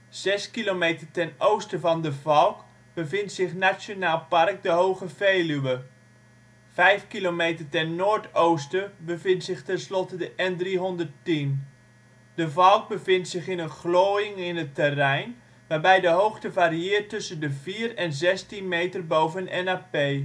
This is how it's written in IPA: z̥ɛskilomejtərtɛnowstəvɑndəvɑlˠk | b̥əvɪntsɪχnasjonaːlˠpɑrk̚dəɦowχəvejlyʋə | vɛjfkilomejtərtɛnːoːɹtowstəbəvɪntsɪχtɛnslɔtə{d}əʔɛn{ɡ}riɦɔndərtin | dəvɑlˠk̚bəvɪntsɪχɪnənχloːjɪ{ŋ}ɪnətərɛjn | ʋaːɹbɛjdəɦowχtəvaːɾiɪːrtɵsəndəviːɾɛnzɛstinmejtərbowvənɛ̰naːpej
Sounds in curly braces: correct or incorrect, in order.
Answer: correct, incorrect: d, correct

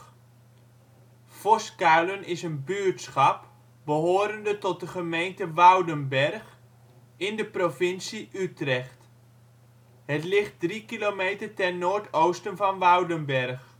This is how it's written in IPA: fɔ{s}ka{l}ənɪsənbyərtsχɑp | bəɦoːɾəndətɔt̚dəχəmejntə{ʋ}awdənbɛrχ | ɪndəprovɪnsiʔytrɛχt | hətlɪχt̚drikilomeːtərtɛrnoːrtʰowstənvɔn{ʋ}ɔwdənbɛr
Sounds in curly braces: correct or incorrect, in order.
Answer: correct, correct, correct, correct

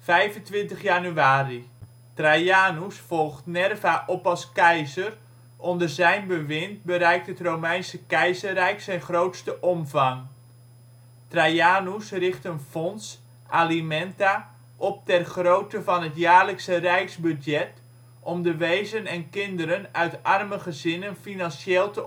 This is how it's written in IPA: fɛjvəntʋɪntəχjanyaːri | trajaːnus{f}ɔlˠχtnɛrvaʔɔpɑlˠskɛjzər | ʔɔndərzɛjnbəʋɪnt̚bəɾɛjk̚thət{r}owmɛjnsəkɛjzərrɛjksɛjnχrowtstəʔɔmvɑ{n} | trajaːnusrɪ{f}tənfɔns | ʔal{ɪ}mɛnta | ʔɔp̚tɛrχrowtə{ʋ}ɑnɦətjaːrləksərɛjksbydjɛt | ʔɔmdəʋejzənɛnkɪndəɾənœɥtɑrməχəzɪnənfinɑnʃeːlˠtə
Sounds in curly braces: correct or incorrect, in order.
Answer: correct, correct, incorrect: ŋ, incorrect: χ, incorrect: i, incorrect: v

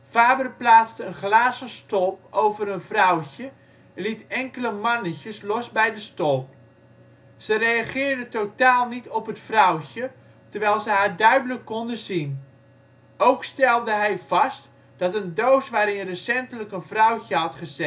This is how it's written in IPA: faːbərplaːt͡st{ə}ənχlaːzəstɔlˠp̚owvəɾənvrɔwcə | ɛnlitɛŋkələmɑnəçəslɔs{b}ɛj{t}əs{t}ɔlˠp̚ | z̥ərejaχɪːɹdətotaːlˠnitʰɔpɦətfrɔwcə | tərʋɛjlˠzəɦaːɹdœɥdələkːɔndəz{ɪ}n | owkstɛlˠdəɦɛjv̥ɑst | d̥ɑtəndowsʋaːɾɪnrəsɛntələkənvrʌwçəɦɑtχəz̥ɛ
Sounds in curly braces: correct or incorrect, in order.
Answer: correct, correct, incorrect: d, correct, incorrect: i

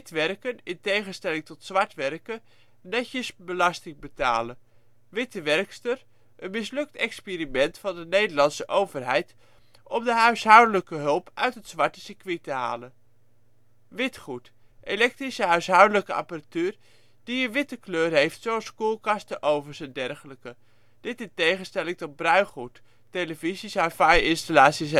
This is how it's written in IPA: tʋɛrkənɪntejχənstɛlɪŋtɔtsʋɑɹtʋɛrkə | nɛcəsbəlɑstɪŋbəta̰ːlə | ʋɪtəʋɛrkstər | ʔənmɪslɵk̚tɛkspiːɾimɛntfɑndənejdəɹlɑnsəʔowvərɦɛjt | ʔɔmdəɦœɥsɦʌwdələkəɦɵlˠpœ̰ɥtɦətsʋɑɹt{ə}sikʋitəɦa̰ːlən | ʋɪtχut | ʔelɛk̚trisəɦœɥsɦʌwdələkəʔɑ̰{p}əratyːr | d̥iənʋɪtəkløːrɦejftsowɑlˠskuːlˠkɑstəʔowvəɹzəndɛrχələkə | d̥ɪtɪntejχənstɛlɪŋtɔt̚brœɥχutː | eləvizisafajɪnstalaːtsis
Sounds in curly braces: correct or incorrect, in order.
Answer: correct, correct

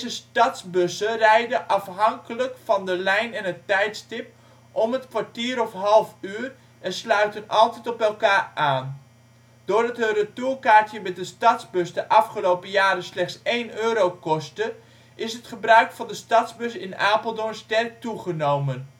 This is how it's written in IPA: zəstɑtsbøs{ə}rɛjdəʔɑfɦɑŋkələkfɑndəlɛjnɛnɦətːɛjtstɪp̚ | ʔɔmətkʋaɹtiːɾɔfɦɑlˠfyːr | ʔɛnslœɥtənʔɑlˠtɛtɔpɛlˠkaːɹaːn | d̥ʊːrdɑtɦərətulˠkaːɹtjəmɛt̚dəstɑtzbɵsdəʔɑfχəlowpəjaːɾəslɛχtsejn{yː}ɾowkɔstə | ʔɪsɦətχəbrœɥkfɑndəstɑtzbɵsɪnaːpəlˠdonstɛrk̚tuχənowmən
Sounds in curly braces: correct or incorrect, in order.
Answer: correct, incorrect: øː

